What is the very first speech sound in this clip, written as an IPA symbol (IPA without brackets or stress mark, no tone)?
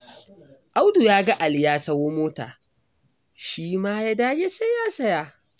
ʔ